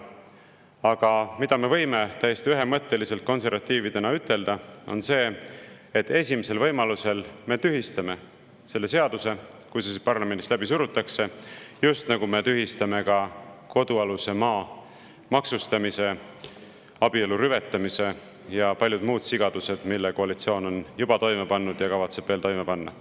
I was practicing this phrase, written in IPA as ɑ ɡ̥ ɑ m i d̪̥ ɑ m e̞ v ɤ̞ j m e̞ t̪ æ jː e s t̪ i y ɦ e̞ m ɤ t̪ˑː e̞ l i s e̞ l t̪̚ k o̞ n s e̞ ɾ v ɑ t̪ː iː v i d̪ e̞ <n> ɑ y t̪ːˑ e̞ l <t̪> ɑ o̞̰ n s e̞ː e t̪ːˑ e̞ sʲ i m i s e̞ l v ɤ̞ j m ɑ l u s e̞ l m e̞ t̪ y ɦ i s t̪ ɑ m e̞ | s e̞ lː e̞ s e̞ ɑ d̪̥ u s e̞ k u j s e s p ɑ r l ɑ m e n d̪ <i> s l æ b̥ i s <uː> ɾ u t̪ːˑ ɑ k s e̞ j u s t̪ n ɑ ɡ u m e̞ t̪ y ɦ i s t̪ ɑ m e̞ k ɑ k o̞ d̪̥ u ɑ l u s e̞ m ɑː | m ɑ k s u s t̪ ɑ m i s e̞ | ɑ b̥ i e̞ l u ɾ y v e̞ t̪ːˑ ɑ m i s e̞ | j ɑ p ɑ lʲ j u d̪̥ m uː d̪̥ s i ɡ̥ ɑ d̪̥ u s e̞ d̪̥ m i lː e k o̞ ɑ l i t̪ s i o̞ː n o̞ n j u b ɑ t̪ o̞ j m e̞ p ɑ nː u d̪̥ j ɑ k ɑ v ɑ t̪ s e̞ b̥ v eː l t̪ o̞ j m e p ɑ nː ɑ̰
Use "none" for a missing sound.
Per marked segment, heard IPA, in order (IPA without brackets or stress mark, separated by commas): n, d̪, i, u